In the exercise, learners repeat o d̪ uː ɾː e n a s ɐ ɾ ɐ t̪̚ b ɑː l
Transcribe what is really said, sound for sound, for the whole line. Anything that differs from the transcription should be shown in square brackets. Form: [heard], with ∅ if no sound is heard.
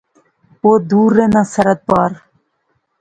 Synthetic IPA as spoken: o d̪ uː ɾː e n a s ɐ ɾ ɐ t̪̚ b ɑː [ɾ]